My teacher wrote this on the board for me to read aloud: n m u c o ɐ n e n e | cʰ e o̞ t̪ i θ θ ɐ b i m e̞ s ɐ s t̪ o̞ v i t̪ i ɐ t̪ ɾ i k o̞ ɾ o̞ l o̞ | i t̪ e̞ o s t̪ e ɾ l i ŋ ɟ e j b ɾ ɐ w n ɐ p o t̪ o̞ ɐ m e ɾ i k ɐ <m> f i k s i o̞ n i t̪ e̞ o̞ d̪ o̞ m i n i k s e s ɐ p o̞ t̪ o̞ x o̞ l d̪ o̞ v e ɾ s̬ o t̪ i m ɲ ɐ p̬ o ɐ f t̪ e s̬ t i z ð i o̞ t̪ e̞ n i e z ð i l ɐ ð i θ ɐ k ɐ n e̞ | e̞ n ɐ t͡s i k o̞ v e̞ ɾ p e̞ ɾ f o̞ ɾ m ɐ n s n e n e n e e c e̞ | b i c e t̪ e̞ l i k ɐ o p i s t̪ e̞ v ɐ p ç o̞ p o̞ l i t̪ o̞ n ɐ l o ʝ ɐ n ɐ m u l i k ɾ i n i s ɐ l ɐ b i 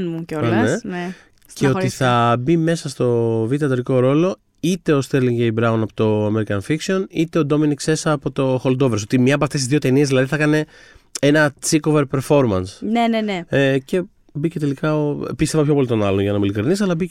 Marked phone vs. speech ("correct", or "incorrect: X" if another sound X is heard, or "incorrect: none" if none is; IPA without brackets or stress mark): incorrect: n